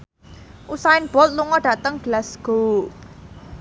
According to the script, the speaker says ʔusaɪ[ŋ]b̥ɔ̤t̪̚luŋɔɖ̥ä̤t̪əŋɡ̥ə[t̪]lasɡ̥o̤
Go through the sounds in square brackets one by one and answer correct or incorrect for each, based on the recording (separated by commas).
incorrect, incorrect